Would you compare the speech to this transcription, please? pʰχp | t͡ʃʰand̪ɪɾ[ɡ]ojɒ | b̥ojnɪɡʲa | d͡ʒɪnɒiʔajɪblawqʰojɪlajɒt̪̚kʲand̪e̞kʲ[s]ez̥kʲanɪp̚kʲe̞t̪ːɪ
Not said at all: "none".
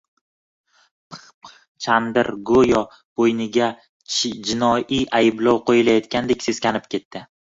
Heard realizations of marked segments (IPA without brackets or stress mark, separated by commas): ɡ, s